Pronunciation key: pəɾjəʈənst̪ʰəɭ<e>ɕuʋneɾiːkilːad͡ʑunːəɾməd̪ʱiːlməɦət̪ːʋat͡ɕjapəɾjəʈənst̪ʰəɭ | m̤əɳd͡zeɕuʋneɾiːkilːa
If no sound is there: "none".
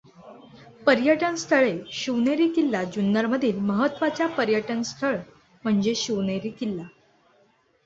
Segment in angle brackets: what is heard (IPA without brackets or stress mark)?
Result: e